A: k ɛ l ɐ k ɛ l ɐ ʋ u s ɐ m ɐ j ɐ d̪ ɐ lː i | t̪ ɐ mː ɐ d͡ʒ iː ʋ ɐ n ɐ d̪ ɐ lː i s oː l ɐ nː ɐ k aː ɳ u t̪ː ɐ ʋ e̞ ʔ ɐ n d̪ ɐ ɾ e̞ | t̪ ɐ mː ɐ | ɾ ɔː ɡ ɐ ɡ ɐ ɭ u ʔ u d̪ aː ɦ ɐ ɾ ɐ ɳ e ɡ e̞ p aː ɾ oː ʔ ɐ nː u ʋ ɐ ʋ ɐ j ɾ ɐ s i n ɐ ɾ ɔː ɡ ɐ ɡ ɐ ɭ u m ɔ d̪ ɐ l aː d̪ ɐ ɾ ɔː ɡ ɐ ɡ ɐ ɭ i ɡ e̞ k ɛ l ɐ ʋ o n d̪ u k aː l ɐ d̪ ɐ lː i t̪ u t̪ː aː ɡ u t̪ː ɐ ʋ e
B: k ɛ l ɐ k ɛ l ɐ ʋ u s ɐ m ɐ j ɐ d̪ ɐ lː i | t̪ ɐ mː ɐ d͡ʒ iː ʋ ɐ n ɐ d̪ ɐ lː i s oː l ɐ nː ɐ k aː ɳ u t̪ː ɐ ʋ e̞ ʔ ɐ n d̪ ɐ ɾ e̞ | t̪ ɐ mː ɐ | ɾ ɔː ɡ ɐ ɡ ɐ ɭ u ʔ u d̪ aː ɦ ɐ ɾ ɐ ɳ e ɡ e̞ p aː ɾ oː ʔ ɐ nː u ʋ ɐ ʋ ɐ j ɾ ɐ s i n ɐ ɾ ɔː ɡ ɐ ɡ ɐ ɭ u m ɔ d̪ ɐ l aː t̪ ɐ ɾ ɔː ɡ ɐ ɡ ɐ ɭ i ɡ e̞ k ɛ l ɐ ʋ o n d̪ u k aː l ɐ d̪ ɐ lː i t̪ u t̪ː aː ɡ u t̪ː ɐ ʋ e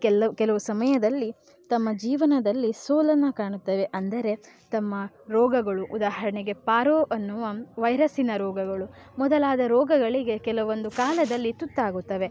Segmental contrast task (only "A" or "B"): A